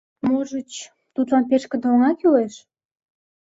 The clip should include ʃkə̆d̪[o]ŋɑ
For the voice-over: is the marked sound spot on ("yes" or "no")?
yes